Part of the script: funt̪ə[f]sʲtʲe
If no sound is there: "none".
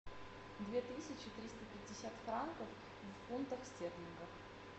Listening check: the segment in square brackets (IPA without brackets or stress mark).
x